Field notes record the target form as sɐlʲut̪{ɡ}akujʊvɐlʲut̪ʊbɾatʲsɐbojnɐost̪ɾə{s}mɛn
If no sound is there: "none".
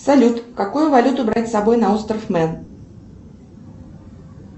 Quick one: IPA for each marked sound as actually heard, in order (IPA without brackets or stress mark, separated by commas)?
k, f